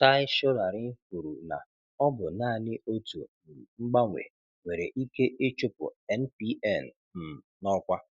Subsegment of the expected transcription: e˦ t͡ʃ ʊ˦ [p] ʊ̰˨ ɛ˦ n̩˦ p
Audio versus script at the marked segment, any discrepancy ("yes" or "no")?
no